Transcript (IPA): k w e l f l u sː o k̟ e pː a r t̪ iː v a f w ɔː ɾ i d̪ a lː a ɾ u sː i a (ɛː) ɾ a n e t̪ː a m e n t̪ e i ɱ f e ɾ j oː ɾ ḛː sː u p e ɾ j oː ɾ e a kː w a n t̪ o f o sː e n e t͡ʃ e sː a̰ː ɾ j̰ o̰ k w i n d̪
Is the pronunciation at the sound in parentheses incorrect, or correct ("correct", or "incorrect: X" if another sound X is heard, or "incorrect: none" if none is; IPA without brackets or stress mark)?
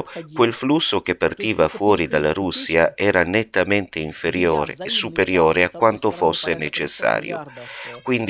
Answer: correct